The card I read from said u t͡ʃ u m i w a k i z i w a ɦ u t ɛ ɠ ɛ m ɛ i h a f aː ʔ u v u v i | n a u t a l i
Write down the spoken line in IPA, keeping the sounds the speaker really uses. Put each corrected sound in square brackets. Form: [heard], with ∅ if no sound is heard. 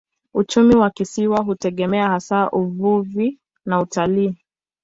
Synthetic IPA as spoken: u t͡ʃ u m i w a k i [s] i w a ɦ u t ɛ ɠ ɛ m ɛ [a] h a [s] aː ʔ u v u v i | n a u t a l [iː]